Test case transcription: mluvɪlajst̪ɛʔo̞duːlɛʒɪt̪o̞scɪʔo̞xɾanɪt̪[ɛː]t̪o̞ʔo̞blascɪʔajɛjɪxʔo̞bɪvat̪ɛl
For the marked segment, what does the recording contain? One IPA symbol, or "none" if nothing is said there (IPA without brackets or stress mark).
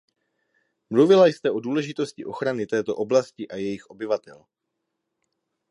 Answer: ɛː